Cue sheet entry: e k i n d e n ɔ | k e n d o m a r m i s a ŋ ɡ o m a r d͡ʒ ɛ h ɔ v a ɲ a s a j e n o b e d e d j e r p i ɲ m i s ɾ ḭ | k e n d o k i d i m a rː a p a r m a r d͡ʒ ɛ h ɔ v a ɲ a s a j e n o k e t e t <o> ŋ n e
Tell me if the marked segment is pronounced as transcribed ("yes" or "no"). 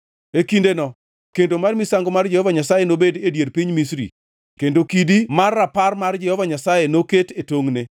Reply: yes